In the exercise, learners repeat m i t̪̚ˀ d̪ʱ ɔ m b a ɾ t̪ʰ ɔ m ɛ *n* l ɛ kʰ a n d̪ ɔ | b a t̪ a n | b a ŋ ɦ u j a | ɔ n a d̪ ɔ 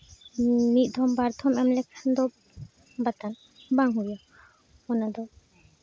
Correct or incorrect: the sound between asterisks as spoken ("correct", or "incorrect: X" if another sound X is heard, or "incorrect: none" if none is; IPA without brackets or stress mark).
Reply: incorrect: m